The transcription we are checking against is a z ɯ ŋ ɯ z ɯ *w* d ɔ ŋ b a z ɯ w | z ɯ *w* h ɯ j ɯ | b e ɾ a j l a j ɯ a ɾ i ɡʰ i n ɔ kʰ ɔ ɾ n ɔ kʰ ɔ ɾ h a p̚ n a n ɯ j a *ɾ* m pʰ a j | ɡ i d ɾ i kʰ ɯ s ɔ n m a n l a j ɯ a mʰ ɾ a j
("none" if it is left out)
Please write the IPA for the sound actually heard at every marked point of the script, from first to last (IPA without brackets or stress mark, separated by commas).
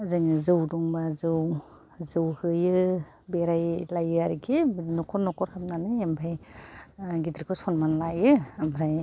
w, w, none